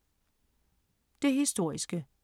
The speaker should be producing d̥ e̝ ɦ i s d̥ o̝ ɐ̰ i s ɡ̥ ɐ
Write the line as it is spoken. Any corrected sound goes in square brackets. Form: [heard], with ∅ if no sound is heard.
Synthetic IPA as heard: d̥ e̝ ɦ i s d̥ o̝ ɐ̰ i s ɡ̥ [ə]